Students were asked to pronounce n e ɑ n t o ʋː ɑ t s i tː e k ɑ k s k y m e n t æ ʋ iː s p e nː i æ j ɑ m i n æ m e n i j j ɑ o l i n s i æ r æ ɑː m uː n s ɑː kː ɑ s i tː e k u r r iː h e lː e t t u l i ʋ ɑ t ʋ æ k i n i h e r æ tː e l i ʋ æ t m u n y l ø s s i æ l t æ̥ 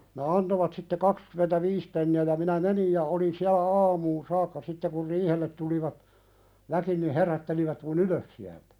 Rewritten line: n e ɑ n t o ʋ ɑ t s i tː e k ɑ k s k y m e n t æ ʋ iː s p e nː i æ j ɑ m i n æ m e n i j j ɑ o l i n s i æ l æ ɑː m uː n s ɑː kː ɑ s i tː e k u r r iː h e lː e t t u l i ʋ ɑ t ʋ æ k i n i h e r æ tː e l i ʋ æ t m u n y l ø s s i æ l t æ̥